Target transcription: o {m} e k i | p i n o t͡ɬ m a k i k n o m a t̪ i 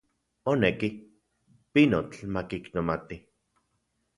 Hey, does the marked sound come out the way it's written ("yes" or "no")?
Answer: no